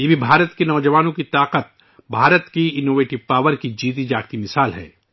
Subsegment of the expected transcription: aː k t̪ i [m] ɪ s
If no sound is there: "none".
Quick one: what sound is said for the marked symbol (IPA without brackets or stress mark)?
m